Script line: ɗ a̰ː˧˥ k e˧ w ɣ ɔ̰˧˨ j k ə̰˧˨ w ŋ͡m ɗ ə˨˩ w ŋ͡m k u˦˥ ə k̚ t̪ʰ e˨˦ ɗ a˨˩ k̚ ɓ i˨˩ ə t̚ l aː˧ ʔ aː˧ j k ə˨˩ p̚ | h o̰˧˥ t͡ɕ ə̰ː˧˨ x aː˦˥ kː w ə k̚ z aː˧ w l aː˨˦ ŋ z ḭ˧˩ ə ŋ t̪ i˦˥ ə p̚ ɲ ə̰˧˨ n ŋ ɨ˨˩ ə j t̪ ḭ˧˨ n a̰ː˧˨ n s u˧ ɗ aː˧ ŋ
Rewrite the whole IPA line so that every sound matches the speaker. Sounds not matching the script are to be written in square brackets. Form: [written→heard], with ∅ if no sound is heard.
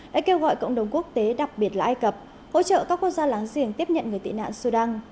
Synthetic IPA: ɗ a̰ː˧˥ k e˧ w ɣ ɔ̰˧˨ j k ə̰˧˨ w ŋ͡m ɗ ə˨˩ w ŋ͡m k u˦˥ ə k̚ [t̪ʰ→t̪] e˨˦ ɗ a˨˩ k̚ ɓ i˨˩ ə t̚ l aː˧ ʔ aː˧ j k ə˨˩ p̚ | h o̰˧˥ t͡ɕ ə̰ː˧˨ [x→k] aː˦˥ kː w ə k̚ z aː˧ [w→∅] l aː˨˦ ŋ z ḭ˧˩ ə ŋ t̪ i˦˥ ə p̚ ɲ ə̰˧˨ n ŋ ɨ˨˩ ə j t̪ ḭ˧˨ n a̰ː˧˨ n s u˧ ɗ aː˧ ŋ